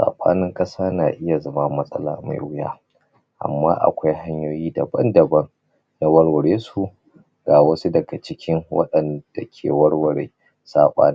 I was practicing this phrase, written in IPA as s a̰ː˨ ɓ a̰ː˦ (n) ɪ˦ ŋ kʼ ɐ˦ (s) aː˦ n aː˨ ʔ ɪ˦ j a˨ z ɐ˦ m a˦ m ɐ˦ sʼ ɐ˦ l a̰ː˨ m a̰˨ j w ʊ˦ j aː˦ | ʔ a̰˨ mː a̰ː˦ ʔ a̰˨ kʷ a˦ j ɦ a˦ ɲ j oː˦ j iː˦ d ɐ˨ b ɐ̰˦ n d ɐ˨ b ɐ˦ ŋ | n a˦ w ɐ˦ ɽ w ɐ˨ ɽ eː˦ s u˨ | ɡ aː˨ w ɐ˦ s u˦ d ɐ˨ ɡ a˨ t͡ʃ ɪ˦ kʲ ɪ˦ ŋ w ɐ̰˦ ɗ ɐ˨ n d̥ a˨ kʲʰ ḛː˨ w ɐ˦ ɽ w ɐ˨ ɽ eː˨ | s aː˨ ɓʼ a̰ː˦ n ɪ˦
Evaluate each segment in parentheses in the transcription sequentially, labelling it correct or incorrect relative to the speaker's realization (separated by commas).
correct, correct